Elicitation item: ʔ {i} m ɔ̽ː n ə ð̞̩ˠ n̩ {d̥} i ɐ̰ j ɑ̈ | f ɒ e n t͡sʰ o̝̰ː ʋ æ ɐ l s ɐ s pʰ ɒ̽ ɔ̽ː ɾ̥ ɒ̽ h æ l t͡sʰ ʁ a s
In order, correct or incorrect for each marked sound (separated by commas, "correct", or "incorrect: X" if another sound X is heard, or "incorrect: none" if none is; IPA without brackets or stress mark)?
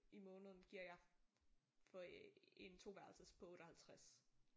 correct, incorrect: ɡ̥